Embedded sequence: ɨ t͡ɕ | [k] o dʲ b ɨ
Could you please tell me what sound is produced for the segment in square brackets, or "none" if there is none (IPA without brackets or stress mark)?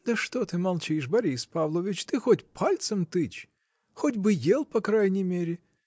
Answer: x